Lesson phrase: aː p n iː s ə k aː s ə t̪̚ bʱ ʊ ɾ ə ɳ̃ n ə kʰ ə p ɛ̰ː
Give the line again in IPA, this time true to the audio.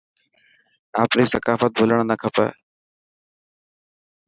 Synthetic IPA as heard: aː p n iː s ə k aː f ə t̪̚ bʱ ʊ l ə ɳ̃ n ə kʰ ə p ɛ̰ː